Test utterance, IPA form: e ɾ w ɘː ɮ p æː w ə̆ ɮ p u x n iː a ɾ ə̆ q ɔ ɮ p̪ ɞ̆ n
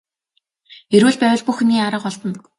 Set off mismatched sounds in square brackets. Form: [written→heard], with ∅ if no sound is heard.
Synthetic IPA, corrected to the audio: e ɾ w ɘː ɮ p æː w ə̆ ɮ p u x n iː a ɾ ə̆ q ɔ ɮ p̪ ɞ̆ n